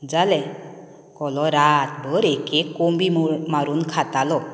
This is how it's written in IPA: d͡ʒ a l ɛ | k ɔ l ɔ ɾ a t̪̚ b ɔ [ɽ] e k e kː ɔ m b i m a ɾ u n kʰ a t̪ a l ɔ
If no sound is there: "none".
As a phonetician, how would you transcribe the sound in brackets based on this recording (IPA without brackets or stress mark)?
ɾ